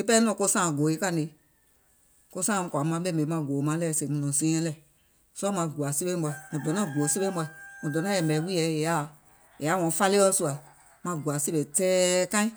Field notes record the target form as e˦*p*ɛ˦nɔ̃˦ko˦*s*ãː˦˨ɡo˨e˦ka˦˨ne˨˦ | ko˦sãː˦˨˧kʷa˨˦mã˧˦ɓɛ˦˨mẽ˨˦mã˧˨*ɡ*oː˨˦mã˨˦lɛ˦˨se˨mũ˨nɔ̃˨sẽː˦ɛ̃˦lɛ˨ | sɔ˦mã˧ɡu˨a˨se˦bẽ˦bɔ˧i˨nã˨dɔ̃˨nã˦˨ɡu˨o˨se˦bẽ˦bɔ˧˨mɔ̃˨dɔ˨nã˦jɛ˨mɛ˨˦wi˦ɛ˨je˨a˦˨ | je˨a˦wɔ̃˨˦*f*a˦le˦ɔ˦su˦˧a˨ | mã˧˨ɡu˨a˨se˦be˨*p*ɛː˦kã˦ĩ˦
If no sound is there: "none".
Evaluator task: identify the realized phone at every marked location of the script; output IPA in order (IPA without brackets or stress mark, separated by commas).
p, s, ɡ, f, t